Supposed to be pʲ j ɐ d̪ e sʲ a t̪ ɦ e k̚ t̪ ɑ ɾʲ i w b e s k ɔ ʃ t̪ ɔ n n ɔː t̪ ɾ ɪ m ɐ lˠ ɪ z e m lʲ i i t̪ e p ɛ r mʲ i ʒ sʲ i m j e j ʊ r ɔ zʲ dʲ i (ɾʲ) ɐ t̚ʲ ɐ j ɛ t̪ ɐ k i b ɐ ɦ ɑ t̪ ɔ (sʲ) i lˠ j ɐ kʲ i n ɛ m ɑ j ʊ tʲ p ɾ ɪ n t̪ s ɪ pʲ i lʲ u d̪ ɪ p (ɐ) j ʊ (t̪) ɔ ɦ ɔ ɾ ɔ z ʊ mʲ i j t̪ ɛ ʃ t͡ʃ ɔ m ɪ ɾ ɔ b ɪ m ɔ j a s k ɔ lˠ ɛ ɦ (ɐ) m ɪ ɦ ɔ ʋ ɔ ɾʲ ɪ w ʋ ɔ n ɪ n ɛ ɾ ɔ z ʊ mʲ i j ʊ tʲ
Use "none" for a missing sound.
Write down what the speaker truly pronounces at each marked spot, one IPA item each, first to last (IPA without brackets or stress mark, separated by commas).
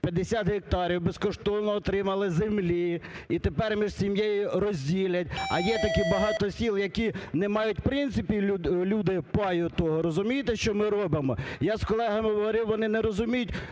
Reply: lʲ, sʲ, ɑ, t̪, ɐ